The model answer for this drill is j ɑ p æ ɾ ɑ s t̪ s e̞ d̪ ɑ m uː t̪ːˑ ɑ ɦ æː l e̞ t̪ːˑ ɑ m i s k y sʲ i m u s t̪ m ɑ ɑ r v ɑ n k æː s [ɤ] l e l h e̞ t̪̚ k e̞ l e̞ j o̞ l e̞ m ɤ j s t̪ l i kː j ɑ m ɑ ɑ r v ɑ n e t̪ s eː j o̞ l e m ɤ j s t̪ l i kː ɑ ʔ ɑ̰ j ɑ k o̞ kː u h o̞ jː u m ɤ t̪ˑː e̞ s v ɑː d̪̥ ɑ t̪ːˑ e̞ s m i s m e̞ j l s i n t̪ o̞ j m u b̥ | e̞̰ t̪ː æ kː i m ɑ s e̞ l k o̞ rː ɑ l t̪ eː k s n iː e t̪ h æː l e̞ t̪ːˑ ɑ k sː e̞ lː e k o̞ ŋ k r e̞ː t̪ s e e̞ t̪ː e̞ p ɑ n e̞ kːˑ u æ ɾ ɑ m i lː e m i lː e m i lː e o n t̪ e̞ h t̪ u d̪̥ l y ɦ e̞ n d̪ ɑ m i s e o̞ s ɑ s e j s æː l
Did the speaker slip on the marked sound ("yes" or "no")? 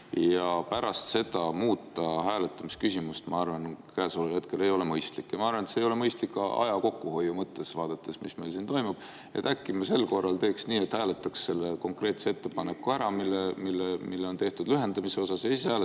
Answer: yes